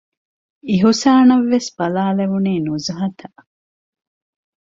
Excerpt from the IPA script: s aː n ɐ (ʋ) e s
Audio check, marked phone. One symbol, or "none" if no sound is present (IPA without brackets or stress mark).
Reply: ʋː